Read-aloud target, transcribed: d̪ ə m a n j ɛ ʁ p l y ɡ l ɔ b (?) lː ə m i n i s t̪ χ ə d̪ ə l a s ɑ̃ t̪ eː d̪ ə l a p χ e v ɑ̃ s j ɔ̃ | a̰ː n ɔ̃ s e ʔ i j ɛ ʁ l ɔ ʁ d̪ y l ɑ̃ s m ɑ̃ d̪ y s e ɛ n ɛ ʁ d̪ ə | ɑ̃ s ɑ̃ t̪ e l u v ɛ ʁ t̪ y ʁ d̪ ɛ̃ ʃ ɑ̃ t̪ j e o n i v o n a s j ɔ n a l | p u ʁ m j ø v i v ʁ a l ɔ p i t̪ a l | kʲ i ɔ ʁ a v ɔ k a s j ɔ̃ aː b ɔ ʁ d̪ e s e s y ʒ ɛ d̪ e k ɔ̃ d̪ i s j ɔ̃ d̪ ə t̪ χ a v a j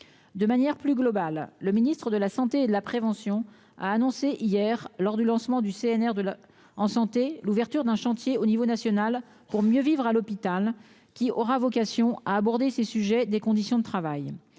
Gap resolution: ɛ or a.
a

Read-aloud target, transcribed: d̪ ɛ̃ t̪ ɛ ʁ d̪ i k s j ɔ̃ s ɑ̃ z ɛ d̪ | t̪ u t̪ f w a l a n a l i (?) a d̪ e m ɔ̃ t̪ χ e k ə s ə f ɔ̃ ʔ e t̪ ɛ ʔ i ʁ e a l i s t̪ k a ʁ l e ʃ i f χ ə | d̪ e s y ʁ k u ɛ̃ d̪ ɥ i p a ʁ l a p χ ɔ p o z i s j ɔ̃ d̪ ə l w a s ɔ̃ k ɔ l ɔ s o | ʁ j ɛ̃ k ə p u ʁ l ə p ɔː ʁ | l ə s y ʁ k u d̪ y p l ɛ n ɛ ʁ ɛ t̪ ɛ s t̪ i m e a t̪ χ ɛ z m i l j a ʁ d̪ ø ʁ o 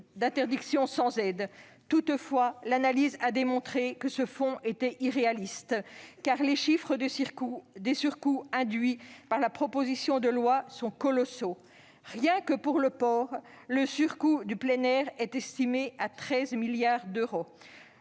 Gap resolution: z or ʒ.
z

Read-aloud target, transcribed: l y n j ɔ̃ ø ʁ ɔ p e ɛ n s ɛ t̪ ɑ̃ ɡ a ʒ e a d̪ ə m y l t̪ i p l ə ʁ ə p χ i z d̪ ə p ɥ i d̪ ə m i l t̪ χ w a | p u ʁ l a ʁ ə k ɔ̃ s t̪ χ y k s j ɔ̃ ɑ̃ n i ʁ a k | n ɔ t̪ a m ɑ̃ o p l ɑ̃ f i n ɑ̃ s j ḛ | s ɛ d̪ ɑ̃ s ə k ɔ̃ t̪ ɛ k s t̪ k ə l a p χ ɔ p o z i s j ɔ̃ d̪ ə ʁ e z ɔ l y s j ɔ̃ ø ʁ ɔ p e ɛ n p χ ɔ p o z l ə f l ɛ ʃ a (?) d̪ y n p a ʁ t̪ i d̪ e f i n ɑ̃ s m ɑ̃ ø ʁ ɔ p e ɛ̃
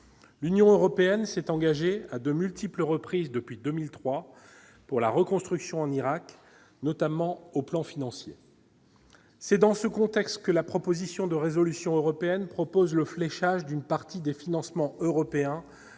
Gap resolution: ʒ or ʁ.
ʒ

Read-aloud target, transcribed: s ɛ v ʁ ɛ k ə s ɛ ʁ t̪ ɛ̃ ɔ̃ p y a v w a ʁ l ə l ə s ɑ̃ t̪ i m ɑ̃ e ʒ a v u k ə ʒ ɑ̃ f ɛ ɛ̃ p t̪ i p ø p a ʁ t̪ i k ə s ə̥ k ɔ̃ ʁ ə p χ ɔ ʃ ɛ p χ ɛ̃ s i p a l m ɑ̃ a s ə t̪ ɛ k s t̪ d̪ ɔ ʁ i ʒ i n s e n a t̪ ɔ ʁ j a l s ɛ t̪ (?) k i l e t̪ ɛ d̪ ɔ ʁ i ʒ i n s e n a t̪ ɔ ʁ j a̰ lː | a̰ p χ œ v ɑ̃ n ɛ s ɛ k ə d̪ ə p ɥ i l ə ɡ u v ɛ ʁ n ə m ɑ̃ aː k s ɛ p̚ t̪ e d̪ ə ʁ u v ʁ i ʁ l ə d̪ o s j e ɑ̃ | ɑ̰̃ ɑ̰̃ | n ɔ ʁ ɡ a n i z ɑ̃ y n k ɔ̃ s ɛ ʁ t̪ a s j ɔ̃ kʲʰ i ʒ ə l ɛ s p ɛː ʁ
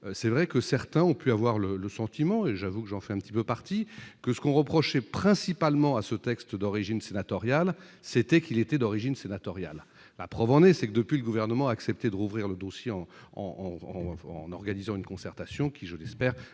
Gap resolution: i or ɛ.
ɛ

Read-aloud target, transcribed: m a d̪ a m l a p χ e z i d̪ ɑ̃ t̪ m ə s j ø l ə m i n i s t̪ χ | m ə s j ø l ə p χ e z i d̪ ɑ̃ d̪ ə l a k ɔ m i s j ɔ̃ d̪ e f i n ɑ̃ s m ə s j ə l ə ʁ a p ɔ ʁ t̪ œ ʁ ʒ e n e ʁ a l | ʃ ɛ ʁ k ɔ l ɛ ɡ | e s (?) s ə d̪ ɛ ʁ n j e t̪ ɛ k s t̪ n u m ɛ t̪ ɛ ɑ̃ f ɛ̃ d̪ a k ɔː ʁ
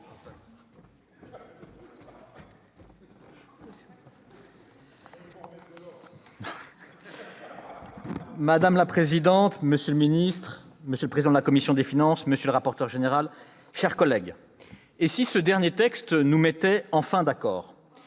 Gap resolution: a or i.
i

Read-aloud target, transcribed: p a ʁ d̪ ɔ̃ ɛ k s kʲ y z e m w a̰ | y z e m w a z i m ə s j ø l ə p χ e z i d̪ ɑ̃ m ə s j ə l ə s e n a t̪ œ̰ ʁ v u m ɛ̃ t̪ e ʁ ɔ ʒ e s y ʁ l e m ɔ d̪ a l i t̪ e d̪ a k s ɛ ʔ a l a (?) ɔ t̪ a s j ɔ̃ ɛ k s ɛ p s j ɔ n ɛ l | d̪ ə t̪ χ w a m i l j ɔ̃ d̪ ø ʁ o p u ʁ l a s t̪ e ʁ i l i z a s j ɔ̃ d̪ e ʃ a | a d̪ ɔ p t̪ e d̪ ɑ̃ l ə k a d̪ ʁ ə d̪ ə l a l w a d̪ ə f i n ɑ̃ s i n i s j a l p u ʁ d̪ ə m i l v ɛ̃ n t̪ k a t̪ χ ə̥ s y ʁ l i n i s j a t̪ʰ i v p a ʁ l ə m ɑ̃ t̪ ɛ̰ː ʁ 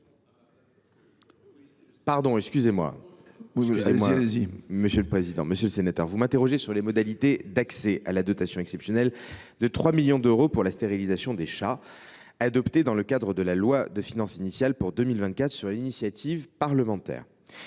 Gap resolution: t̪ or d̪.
d̪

